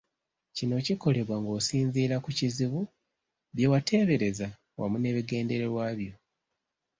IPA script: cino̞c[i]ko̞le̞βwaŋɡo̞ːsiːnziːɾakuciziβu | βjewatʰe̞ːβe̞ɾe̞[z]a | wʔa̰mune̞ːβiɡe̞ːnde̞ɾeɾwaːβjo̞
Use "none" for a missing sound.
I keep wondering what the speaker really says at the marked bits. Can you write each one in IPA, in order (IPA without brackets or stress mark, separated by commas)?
i, z